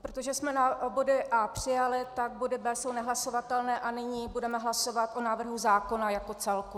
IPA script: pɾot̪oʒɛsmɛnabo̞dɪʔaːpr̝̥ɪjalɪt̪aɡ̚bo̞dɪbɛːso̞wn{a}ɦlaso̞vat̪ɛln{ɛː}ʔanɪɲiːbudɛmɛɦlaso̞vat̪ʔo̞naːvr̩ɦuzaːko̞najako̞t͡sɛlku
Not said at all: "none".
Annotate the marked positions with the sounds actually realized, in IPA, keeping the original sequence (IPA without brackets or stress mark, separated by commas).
ɛ, ɛː